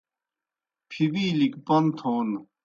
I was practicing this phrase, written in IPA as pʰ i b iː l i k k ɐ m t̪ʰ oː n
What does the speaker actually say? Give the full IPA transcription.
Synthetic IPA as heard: pʰ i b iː l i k p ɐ n t̪ʰ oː n